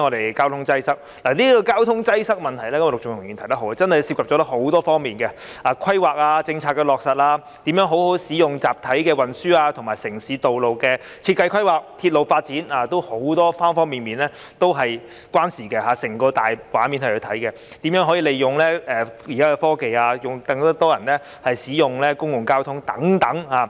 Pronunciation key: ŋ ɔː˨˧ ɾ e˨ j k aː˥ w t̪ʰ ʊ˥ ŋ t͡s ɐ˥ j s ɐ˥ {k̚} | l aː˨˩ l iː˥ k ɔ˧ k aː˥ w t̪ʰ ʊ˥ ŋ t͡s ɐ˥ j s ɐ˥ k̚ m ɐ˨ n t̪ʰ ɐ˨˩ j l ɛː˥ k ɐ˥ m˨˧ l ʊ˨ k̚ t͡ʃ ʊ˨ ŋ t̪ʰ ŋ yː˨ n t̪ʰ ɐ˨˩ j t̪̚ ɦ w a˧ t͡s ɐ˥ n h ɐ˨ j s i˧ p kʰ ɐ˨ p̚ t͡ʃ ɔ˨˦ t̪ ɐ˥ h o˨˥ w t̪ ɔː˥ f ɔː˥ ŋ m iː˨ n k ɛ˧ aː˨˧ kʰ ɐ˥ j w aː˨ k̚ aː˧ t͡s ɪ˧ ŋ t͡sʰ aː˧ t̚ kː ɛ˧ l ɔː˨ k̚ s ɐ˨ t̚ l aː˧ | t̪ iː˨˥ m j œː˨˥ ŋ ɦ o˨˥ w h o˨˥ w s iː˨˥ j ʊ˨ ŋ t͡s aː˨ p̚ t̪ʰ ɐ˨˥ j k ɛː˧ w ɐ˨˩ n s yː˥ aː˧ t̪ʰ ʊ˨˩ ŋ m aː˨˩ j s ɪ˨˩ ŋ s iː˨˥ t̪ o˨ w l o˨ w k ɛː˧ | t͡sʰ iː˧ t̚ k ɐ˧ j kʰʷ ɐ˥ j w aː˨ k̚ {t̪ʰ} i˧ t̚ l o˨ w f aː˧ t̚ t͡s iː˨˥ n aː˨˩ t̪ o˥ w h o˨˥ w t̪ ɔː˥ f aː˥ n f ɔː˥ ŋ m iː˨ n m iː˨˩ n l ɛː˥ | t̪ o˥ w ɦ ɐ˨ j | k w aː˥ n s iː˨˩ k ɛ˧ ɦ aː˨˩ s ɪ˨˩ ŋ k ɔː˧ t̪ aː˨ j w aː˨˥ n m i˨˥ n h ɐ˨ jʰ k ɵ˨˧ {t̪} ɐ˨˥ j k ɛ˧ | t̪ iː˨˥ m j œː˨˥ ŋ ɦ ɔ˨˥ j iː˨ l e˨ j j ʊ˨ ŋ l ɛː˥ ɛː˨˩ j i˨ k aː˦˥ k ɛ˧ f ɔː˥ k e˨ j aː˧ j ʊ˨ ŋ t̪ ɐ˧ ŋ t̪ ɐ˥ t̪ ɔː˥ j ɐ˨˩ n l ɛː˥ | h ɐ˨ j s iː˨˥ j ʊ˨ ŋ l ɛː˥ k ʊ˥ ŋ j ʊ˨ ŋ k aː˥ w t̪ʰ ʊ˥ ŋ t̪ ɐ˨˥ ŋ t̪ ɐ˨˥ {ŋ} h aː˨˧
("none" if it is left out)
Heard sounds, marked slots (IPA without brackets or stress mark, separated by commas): k̚, t̪ʰ, t̪ʰ, ŋ